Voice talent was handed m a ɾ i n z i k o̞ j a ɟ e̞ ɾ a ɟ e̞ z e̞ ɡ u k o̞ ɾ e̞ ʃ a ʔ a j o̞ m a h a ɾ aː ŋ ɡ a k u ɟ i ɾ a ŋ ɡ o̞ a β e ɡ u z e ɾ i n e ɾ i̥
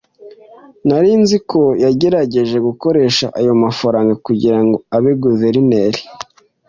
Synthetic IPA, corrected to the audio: n a ɾ i n z i k o̞ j a ɟ e̞ ɾ a ɟ e̞ ʒ e̞ ɡ u k o̞ ɾ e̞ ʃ a ʔ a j o̞ m a f a ɾ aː ŋ ɡ a k u ɟ i ɾ a ŋ ɡ o̞ a β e ɡ u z e ɾ i n e ɾ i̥